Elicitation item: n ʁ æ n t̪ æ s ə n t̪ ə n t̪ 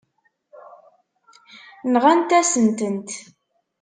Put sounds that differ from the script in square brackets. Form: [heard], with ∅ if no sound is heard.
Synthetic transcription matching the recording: n ʁ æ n t̪ æ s ə n t̪ ə n t̪